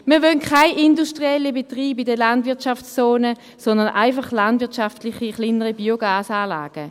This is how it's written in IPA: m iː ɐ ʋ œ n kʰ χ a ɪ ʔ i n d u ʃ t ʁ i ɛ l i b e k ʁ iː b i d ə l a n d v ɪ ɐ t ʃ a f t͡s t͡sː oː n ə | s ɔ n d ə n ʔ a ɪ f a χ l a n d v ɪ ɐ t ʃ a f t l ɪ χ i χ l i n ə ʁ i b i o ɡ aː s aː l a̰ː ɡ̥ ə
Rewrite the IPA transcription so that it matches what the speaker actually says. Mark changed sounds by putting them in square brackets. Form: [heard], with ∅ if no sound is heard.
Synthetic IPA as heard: m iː ɐ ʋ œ n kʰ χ a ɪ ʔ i n d u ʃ t ʁ i ɛ l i b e [t] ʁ iː b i d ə l a n d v ɪ ɐ t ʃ a f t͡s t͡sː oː n ə | s ɔ n d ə n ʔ a ɪ f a χ l a n d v ɪ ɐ t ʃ a f t l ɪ χ i χ l i n ə ʁ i b i o ɡ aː s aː l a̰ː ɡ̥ ə